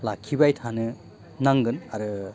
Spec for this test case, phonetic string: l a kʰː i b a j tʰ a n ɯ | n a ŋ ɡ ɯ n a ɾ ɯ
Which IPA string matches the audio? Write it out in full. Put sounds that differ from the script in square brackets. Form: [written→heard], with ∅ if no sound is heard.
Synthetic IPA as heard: l a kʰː i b a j tʰ a n ɯ | n a ŋ ɡ ɯ n a ɾ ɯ

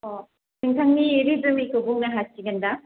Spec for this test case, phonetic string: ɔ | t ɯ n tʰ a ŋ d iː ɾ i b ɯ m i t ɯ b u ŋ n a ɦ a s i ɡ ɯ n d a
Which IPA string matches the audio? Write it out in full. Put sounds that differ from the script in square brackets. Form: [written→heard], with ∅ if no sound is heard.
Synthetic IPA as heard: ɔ | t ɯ [n→ŋ] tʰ a ŋ [d→n] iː ɾ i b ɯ m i [t→k] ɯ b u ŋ n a ɦ a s i ɡ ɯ n d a

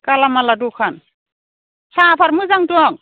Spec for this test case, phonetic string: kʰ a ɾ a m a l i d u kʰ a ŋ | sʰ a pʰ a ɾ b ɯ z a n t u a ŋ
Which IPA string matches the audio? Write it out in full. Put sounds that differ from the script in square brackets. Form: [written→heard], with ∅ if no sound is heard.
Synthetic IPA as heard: [kʰ→k] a [ɾ→l] a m a l [i→a] d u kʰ a [ŋ→n] | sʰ a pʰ a ɾ [b→m] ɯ z a [n→ŋ] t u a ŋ

